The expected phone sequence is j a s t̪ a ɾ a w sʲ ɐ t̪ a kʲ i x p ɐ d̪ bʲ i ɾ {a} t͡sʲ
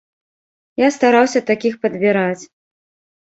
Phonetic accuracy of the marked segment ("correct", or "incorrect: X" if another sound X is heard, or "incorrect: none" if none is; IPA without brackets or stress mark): correct